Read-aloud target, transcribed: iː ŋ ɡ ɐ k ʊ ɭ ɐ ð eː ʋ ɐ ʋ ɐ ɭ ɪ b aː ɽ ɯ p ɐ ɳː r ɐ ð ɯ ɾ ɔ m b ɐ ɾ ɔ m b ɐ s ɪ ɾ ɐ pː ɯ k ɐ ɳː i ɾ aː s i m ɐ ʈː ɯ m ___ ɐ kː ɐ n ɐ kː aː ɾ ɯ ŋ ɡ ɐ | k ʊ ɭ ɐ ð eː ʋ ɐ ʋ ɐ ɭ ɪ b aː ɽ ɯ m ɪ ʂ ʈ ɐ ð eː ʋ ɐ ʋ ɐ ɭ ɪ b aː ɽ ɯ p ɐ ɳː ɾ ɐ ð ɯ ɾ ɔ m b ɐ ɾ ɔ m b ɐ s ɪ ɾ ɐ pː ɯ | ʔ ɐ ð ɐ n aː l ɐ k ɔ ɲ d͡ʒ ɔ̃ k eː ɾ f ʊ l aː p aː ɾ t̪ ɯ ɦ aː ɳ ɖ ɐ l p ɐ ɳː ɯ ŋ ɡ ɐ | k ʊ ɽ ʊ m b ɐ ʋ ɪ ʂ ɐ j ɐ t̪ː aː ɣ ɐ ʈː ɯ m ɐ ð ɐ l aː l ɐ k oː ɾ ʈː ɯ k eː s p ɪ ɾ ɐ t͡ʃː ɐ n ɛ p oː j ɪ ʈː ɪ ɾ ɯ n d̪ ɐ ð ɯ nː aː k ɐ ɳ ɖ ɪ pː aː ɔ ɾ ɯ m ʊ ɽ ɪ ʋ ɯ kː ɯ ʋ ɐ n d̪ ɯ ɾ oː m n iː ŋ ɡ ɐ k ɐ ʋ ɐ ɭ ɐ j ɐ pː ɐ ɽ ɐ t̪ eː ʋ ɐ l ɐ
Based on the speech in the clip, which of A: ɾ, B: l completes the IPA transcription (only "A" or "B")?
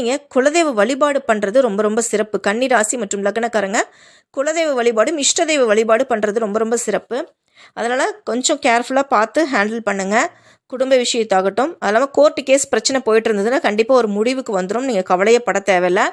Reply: B